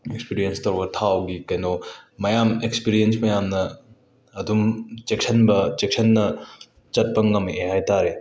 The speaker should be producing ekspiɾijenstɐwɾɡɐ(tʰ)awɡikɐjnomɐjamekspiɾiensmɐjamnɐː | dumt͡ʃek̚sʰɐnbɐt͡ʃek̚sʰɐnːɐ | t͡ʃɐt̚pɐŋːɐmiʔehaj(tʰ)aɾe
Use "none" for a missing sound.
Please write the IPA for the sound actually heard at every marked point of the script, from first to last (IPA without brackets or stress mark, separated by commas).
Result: tʰ, t